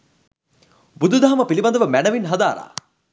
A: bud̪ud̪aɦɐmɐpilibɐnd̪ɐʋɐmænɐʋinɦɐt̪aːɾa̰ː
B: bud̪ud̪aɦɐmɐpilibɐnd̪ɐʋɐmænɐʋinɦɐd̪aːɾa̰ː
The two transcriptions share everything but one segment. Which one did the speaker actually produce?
B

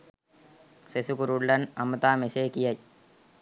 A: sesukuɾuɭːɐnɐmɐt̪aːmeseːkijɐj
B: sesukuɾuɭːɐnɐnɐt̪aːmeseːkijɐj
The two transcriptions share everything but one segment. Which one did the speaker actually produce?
A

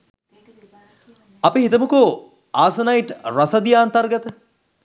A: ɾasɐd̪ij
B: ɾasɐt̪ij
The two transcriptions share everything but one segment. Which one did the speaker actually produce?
A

